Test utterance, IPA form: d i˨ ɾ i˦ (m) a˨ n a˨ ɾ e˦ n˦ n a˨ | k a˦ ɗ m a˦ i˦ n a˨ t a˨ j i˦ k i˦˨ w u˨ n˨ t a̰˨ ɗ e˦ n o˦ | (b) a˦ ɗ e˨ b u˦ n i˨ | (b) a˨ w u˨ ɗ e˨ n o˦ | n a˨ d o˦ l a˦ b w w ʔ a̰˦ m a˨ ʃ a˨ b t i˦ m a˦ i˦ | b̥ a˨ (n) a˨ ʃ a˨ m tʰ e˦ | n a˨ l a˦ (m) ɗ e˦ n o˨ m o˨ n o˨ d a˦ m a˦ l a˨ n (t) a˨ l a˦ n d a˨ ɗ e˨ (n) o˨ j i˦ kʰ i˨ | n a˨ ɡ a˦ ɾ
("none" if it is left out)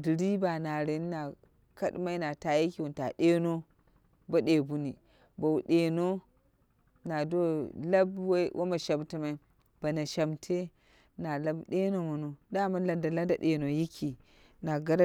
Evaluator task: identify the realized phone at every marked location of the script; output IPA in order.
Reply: b, b, b, n, b, d, n

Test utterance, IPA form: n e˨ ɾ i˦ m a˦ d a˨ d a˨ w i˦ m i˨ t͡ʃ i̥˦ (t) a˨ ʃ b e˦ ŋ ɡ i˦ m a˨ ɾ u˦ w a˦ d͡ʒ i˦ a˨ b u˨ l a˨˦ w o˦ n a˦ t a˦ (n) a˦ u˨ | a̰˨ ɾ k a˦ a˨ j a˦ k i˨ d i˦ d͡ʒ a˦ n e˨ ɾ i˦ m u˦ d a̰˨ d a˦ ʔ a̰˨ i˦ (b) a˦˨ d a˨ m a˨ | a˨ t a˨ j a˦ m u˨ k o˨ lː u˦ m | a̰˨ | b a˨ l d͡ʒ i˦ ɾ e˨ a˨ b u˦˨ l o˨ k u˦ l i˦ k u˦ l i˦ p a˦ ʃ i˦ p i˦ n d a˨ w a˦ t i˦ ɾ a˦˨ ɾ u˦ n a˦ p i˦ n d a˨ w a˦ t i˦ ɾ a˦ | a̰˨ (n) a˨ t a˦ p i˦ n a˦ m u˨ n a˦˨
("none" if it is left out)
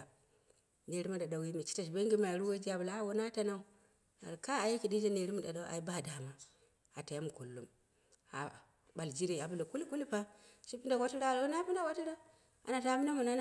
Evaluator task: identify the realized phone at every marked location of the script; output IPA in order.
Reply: t, n, b, n

